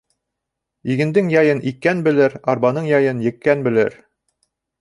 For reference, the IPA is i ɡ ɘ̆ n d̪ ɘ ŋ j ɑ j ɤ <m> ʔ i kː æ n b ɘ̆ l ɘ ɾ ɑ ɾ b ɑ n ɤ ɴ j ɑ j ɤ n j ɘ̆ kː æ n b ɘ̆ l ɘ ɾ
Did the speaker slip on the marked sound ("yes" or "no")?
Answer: yes